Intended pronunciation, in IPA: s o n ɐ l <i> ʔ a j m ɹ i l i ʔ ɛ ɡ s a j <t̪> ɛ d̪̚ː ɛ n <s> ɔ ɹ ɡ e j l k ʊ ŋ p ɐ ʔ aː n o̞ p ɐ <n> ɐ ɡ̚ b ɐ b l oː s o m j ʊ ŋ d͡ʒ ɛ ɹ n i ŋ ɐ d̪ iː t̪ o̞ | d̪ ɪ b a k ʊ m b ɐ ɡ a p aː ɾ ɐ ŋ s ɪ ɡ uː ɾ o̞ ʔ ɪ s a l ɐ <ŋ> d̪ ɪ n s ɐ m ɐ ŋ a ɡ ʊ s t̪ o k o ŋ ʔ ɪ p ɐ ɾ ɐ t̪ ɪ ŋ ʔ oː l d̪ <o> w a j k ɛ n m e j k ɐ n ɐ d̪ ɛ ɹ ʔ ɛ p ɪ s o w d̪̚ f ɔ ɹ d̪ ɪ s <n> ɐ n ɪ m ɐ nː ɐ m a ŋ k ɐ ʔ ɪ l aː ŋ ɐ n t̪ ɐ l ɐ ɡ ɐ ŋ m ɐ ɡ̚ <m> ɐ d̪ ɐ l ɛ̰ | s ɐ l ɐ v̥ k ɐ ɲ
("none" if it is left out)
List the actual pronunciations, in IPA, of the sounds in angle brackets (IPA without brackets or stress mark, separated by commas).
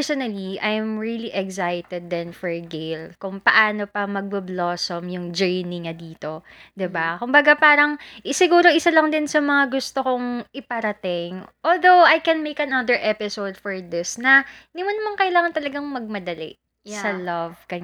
i, t̪, f, m, ŋ, o, n, m